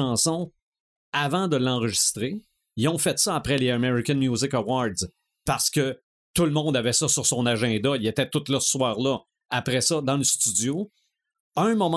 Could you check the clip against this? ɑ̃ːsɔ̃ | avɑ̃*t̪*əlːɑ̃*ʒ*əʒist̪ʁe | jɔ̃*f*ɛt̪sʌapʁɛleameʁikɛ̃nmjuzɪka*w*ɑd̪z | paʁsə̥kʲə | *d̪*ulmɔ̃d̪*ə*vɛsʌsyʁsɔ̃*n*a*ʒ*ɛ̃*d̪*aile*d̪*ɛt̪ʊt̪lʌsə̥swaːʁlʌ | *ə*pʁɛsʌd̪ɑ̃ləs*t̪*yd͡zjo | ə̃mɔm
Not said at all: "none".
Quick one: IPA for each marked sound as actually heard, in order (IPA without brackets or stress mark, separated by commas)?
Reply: d̪, ʁ, f, w, t̪, a, n, ʒ, d̪, t̪, a, t̪